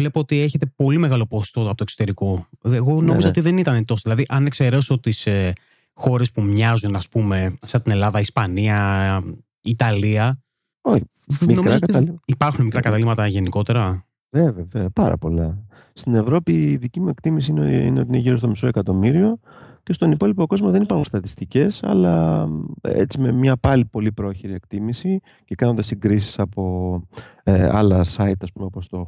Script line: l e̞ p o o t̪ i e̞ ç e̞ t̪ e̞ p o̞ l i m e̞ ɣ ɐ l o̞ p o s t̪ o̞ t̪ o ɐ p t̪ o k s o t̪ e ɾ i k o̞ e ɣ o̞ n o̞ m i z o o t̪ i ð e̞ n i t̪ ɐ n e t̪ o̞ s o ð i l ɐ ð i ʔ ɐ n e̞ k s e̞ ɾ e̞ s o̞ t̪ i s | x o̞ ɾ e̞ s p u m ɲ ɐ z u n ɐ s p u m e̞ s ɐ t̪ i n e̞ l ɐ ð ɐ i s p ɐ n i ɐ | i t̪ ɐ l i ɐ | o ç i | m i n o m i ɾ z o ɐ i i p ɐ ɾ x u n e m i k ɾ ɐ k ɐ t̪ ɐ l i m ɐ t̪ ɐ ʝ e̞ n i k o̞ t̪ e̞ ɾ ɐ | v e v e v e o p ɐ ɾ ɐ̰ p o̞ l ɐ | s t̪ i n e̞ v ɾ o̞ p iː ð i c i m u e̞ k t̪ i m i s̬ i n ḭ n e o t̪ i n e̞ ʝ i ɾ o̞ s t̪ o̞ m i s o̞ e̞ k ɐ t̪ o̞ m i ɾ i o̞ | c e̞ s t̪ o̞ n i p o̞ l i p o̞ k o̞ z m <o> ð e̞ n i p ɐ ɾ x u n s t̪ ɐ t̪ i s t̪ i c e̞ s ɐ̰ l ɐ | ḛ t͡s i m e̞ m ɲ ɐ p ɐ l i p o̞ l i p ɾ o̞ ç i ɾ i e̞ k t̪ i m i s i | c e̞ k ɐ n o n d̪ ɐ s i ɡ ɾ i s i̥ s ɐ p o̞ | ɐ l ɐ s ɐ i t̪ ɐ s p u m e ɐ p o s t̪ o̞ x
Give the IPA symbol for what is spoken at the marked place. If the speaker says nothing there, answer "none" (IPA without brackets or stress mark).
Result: o